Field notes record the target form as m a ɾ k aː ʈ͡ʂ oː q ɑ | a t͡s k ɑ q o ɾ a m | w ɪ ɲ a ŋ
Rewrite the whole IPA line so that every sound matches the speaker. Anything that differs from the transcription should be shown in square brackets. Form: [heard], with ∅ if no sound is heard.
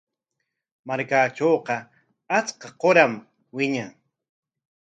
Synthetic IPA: m a ɾ k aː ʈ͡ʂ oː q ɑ | a t͡s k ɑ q o ɾ a m | w ɪ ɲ a ŋ